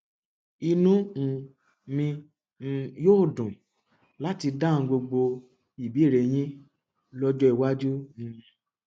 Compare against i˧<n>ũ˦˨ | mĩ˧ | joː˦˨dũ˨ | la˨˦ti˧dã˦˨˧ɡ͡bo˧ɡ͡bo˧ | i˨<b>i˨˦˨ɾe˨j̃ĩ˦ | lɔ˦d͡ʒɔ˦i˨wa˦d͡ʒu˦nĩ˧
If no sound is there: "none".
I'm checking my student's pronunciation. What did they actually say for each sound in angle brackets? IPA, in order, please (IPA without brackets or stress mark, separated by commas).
n, b